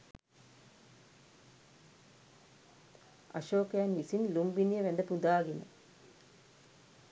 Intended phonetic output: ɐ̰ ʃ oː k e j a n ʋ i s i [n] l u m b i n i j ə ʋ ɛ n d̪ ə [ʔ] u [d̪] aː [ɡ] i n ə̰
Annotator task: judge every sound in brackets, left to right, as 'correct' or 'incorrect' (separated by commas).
correct, incorrect, correct, correct